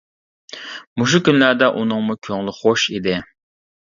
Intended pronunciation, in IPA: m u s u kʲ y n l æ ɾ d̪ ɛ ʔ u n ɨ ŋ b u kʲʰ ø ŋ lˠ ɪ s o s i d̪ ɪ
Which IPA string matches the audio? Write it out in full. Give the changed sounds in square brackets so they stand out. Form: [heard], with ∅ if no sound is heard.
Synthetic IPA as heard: m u [ʃ] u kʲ y n l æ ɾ d̪ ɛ ʔ u n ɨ ŋ [m] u kʲʰ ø ŋ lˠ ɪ [χ] o [ʃ] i d̪ ɪ